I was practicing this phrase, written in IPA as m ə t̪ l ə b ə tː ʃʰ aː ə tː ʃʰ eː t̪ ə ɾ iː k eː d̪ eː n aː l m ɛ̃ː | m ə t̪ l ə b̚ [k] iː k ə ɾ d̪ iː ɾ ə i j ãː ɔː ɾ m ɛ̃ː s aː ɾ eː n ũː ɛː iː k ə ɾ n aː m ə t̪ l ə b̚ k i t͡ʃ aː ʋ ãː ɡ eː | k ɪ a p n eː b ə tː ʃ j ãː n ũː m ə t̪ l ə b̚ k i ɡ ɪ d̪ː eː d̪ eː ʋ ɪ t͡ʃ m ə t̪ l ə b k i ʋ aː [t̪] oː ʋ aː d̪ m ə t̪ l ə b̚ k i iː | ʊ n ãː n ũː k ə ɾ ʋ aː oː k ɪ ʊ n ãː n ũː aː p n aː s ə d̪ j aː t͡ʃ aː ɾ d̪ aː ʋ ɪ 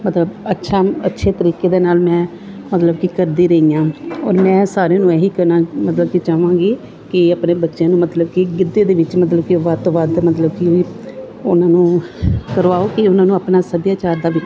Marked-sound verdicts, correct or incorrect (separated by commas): correct, correct